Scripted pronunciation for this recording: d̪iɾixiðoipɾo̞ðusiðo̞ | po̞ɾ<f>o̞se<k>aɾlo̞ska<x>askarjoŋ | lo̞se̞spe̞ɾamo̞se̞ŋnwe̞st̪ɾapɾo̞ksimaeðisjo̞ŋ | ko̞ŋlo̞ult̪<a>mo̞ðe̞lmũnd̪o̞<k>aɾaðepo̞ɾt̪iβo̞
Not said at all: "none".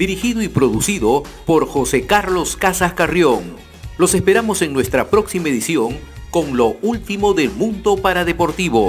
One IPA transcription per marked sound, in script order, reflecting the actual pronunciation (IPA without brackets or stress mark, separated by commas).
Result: x, k, s, i, p